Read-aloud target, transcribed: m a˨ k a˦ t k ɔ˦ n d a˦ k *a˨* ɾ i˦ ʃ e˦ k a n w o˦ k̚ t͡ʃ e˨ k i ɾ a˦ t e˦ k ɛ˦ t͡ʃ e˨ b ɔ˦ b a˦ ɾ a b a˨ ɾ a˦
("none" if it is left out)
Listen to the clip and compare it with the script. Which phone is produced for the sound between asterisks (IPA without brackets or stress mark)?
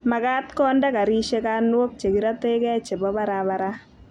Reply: a˨